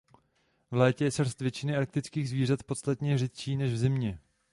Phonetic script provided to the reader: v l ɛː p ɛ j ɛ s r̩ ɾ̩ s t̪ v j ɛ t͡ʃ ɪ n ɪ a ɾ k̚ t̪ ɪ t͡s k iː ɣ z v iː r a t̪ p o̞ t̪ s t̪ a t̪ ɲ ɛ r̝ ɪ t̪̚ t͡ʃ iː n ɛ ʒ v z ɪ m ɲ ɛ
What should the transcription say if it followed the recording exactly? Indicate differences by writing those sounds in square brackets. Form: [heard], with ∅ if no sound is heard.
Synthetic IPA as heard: v l ɛː [c] ɛ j ɛ s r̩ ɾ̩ s t̪ v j ɛ t͡ʃ ɪ n ɪ a ɾ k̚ t̪ ɪ t͡s k iː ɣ z v iː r a t̪ p o̞ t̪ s t̪ a t̪ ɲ ɛ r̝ ɪ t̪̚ t͡ʃ iː n ɛ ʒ v z ɪ m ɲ ɛ